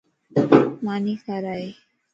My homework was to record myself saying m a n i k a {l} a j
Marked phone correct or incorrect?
incorrect